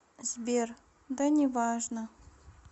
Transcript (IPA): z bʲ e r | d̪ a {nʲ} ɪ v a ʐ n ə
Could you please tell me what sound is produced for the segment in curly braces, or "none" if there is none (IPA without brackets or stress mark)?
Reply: nʲ